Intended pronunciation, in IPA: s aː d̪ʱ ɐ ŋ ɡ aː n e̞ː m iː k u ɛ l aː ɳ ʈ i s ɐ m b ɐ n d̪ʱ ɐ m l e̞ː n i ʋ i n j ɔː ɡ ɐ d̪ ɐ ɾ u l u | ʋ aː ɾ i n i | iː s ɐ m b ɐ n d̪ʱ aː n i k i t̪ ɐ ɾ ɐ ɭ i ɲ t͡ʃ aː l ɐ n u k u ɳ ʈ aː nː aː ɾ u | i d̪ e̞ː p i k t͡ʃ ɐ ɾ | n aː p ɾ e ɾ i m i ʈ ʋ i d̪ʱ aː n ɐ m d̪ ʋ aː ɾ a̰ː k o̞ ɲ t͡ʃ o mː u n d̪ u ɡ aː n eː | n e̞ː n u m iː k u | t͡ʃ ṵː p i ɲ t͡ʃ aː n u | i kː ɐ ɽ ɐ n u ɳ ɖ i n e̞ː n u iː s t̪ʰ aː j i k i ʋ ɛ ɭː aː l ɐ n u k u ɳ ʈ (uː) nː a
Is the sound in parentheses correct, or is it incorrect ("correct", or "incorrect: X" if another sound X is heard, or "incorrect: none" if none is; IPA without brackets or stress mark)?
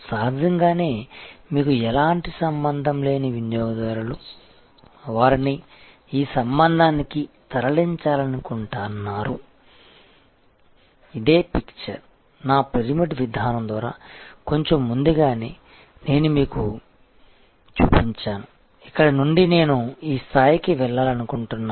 incorrect: u